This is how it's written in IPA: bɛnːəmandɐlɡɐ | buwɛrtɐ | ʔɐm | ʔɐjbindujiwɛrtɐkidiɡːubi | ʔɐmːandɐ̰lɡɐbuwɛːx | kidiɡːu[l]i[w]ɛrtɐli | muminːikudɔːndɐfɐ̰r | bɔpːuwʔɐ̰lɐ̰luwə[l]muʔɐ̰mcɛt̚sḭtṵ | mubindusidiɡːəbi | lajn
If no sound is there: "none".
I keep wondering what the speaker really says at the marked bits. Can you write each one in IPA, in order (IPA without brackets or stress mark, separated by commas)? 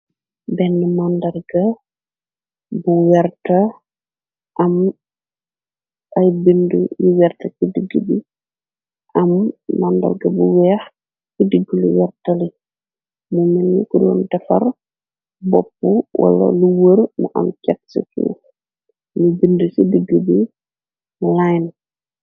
l, w, ɾ